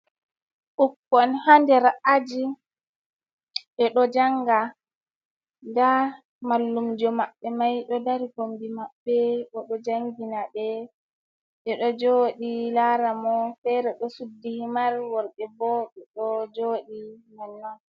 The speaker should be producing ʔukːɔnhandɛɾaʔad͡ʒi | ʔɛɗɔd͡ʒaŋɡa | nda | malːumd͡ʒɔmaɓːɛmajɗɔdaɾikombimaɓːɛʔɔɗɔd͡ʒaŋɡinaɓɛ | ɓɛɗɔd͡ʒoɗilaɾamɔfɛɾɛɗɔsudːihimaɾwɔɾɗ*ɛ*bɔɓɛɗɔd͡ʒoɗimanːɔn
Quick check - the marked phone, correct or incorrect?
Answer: correct